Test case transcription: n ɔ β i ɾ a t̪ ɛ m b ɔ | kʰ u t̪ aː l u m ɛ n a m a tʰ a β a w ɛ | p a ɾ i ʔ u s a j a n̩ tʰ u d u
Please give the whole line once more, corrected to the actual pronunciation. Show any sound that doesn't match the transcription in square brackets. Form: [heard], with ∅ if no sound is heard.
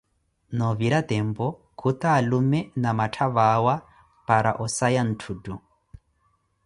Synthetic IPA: n ɔ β i ɾ a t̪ ɛ m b ɔ | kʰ u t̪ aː l u m ɛ n a m a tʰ a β a w [a] | p a ɾ [a] ʔ [ɔ] s a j a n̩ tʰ u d u